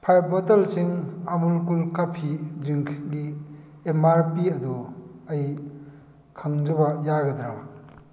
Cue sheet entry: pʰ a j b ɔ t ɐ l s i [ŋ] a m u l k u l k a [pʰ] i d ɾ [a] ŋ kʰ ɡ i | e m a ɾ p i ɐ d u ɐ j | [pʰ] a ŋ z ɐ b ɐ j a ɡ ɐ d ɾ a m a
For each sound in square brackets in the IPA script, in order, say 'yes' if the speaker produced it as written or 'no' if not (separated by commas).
yes, yes, no, no